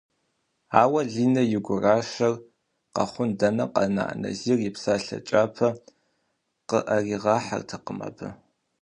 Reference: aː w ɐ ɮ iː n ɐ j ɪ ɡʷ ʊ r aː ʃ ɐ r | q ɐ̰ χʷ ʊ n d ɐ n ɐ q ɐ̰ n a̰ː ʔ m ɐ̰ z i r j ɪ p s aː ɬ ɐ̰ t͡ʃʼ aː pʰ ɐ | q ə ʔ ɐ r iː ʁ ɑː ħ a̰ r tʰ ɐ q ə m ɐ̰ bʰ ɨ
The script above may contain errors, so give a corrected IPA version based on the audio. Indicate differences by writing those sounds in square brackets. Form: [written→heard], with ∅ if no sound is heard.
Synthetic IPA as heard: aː w ɐ ɮ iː n ɐ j ɪ ɡʷ ʊ r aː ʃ ɐ r | q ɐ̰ χʷ ʊ n d ɐ n ɐ q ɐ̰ n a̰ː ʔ [m→n] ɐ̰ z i r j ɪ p s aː ɬ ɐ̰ t͡ʃʼ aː pʰ ɐ | q ə ʔ ɐ r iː ʁ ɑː ħ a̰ r tʰ ɐ q ə m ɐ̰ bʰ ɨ